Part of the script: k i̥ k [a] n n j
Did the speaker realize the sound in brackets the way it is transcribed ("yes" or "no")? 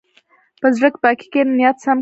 no